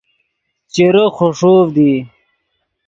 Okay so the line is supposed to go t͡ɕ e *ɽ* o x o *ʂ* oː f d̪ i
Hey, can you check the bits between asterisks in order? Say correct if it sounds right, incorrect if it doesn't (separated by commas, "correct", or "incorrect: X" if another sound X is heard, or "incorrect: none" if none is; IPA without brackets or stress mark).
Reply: incorrect: ɾ, correct